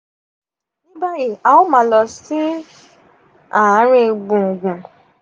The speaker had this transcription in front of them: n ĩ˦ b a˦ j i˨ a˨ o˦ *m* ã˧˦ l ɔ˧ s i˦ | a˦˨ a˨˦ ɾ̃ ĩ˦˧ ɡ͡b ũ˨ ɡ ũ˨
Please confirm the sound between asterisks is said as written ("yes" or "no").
yes